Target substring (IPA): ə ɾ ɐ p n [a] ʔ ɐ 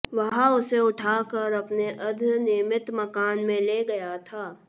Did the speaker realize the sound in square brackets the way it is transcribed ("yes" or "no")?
no